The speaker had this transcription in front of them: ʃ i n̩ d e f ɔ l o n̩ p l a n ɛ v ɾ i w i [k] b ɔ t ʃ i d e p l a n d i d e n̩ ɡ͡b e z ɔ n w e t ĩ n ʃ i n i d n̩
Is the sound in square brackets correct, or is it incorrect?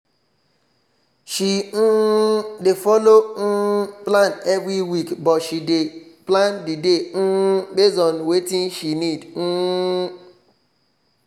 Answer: correct